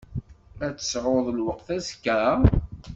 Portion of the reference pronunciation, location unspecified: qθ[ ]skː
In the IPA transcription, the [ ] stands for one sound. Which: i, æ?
æ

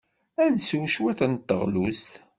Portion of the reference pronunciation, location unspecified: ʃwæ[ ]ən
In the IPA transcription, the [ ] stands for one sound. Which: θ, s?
θ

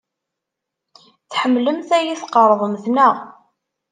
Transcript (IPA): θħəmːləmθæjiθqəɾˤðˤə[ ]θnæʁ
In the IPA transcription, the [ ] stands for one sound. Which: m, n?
m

